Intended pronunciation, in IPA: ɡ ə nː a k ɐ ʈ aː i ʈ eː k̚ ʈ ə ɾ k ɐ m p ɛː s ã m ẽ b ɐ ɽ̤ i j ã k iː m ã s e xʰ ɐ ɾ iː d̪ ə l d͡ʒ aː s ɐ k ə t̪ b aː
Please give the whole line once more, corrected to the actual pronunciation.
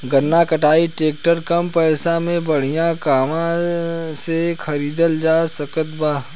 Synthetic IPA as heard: ɡ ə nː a k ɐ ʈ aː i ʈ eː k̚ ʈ ə ɾ k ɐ m p ɛː s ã m ẽ b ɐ ɽ̤ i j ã k aː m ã s e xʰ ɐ ɾ iː d̪ ə l d͡ʒ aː s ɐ k ə t̪ b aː